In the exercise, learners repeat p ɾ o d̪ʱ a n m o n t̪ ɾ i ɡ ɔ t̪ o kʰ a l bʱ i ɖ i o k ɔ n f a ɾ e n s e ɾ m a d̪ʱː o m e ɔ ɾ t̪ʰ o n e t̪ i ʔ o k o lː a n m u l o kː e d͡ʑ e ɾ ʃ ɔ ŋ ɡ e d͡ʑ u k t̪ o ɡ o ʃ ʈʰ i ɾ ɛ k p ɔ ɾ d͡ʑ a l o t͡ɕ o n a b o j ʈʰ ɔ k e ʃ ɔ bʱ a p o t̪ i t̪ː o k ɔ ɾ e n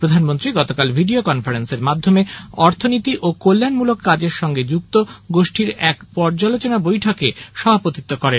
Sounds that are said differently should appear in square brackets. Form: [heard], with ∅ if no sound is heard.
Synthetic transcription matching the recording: p ɾ o d̪ʱ a n m o n t̪ ɾ i ɡ ɔ t̪ o [k] a l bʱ i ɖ i o k ɔ n f a ɾ e n s e ɾ m a d̪ʱː o m e ɔ ɾ t̪ʰ o n [i] t̪ i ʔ o k o lː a n m u l o kː [a] d͡ʑ e ɾ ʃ ɔ ŋ ɡ e d͡ʑ u k t̪ o ɡ o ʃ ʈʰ i ɾ ɛ k p ɔ ɾ d͡ʑ a l o t͡ɕ o n a b o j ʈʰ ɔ k e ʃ ɔ bʱ a p o t̪ i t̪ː o k ɔ ɾ e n